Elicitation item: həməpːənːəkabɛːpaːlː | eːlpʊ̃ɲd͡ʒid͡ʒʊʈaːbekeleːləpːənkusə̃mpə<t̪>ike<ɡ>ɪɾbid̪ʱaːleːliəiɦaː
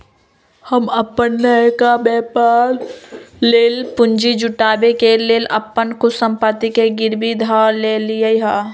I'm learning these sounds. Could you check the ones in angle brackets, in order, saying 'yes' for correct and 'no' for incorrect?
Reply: yes, yes

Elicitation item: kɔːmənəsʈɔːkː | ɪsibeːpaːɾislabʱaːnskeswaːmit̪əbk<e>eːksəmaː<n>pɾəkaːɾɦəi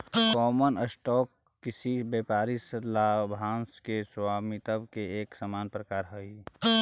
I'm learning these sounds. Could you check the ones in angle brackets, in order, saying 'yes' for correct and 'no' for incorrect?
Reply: yes, yes

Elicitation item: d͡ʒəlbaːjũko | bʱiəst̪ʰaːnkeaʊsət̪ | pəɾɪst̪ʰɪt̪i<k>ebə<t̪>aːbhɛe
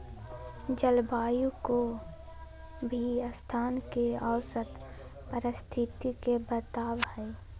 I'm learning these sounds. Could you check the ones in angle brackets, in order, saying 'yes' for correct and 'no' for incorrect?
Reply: yes, yes

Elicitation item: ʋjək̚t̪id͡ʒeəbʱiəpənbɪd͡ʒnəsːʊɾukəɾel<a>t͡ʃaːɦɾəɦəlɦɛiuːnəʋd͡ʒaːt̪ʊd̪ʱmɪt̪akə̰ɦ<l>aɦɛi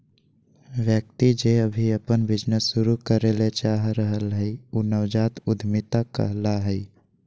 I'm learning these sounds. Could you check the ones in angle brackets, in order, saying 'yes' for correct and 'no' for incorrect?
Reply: no, yes

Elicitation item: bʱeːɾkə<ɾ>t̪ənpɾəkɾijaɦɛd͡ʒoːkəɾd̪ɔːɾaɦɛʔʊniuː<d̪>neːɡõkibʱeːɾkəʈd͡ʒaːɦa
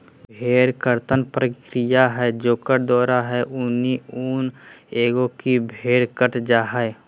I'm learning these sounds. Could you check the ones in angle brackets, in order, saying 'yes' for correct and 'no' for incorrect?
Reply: yes, no

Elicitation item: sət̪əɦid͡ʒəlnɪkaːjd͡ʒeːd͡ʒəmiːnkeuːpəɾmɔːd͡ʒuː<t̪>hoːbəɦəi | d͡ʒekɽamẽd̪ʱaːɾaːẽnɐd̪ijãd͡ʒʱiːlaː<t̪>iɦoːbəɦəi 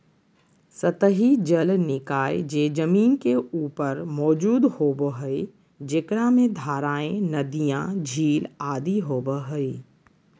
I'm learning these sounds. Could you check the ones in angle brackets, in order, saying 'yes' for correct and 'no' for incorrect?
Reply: no, no

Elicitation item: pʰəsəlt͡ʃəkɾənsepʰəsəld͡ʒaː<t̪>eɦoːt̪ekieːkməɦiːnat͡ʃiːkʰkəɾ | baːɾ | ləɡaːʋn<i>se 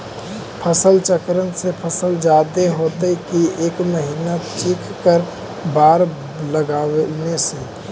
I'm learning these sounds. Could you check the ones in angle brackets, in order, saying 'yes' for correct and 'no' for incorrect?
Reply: no, no

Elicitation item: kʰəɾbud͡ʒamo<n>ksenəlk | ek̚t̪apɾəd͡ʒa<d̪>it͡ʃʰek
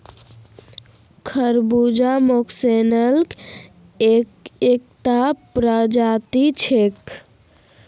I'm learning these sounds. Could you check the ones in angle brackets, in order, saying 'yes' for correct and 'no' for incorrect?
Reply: no, no

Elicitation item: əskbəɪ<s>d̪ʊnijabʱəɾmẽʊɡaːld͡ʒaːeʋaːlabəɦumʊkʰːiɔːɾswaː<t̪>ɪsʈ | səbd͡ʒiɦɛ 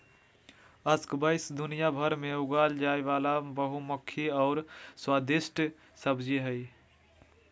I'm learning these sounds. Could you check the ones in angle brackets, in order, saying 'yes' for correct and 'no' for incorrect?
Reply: yes, no

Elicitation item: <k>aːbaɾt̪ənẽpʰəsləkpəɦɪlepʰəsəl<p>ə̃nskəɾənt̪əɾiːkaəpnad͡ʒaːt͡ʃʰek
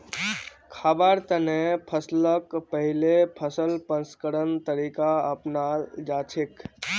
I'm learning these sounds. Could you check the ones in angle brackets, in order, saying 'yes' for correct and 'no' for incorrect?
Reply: no, yes

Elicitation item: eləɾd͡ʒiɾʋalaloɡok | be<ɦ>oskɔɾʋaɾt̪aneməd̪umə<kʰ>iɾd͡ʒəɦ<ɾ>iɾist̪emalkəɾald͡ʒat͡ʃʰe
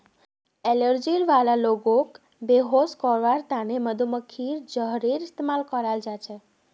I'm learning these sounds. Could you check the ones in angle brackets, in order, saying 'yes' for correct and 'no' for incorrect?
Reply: yes, yes, yes

